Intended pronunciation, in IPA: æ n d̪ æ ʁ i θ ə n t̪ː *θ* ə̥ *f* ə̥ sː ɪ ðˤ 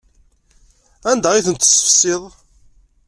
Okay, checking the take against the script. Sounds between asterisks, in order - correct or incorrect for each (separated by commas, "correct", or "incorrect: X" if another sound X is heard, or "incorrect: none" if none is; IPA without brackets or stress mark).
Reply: incorrect: s, correct